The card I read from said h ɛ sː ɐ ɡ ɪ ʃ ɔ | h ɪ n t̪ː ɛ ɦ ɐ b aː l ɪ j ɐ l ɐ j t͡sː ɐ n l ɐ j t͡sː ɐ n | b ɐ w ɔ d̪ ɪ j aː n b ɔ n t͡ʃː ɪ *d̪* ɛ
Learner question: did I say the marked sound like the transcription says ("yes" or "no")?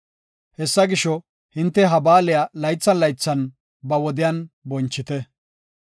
no